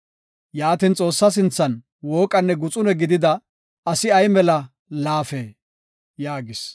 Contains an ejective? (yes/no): yes